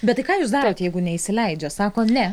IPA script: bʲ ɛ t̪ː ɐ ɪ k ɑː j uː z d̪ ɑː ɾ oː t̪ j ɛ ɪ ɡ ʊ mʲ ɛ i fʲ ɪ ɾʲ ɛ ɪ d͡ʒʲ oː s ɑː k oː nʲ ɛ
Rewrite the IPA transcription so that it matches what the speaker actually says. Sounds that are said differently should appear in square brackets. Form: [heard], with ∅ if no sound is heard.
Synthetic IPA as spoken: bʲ ɛ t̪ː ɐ ɪ k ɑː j uː [s] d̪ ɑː ɾ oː t̪ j ɛ ɪ ɡ ʊ [nʲ] ɛ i [sʲ] ɪ [lʲ] ɛ ɪ d͡ʒʲ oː s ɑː k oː nʲ ɛ